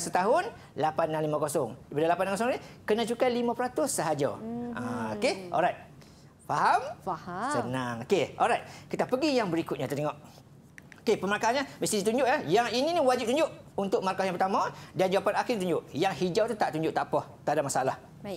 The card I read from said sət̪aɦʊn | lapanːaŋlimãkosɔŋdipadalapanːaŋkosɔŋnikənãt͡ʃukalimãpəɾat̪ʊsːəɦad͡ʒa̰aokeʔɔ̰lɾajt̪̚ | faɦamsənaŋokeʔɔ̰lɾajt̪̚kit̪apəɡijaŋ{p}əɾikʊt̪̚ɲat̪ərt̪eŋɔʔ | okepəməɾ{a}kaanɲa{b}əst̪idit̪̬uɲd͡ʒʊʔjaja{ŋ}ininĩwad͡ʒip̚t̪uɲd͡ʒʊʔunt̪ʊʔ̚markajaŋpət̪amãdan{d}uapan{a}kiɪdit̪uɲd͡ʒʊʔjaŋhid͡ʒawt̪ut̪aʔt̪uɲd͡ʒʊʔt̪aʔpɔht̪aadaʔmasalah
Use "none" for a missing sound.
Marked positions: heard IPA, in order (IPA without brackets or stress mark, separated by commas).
b, a, m, ŋ, d͡ʒ, a